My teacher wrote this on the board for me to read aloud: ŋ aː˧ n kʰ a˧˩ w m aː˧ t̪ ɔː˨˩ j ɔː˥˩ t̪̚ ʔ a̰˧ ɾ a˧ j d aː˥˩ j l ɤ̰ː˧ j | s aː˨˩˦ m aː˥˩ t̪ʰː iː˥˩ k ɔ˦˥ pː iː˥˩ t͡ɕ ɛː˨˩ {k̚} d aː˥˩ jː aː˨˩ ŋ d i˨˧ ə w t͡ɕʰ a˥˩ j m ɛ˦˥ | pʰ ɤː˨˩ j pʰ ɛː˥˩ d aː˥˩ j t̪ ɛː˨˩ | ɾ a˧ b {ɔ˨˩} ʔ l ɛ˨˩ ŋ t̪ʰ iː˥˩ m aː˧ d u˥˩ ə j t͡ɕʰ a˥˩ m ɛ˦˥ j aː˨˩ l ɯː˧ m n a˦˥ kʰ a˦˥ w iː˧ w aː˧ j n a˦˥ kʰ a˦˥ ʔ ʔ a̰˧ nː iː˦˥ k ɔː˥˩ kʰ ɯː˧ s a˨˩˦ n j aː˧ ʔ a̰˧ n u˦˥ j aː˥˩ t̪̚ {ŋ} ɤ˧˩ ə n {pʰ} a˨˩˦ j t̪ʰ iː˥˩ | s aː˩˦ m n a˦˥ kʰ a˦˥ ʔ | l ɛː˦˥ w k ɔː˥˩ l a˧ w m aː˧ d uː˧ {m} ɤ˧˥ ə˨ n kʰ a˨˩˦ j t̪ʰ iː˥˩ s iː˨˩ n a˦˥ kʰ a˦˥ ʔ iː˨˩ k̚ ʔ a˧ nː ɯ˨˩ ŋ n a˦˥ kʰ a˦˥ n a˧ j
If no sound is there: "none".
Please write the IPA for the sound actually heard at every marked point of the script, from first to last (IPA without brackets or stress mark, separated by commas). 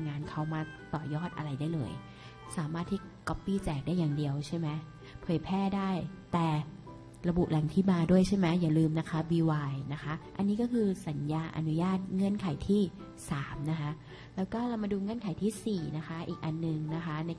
k̚, u˨˩, ŋ, kʰ, ŋ